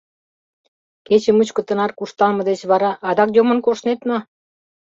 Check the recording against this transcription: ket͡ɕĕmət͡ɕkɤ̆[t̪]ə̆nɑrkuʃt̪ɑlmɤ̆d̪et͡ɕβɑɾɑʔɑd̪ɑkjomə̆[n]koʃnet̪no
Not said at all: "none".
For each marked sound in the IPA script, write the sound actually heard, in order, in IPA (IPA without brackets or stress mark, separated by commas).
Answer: t̪, n